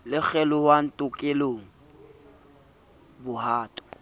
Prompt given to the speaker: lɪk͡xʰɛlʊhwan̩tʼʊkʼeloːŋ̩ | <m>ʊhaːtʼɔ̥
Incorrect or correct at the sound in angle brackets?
incorrect: b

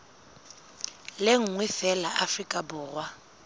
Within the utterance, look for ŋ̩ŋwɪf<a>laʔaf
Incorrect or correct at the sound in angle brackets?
incorrect: ɛ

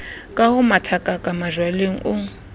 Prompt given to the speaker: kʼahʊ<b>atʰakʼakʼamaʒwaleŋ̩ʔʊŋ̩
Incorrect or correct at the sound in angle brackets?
incorrect: m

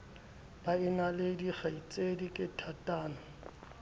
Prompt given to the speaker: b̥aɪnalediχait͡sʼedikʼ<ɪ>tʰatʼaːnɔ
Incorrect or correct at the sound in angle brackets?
correct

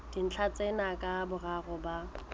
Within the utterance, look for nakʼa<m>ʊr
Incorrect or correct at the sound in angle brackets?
incorrect: b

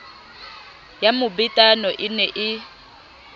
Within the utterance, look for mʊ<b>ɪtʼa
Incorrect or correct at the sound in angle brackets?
correct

